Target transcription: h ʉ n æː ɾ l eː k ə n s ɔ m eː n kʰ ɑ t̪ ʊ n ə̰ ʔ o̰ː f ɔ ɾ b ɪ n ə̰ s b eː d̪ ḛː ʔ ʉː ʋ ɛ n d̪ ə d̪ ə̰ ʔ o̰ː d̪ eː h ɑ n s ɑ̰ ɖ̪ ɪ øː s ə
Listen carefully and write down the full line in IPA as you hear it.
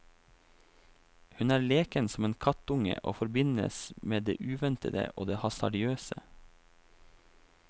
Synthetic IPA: h ʉ n æː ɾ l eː k ə n s ɔ m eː n kʰ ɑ t̪ ʊ ŋ ə̰ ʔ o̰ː f ɔ ɾ b ɪ n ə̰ s m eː d̪ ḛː ʔ ʉː ʋ ɛ n t̪ ə d̪ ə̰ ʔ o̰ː d̪ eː h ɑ s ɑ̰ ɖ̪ ɪ øː s ə